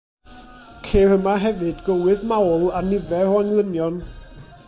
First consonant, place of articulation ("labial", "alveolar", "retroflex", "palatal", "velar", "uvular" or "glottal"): velar